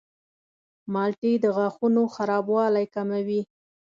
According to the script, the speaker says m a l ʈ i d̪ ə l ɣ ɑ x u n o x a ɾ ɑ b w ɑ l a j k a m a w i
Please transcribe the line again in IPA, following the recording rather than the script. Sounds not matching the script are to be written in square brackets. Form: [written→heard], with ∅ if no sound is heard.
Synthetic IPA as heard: m [a→ɑ] l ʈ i d̪ ə [l→∅] ɣ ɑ x u n o x a ɾ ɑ b w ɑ l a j k a m a w i